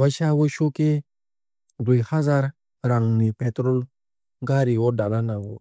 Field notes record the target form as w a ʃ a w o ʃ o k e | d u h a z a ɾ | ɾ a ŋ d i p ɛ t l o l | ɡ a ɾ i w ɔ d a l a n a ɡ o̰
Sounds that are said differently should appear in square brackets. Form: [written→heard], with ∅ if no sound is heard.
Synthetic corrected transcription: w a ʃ a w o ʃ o k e | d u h a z a ɾ | ɾ a ŋ [d→n] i p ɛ t [l→ɾ] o l | ɡ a ɾ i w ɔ d a l a n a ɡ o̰